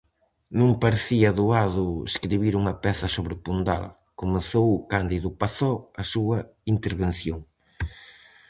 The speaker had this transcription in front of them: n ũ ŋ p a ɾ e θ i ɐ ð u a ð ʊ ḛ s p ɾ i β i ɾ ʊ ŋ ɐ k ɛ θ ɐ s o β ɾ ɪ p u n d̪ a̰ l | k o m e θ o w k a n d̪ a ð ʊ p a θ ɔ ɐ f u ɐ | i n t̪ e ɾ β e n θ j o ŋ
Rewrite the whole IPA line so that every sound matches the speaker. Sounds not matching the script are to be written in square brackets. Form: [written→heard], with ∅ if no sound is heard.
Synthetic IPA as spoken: n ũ ŋ p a ɾ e θ i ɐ ð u a ð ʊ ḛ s [p→k] ɾ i β i ɾ [ʊ→u] ŋ ɐ [k→p] ɛ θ ɐ s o β ɾ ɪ p u n d̪ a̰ l | k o m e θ o w k a n d̪ [a→i] ð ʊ p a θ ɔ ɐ [f→s] u ɐ | i n t̪ e ɾ β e n θ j o ŋ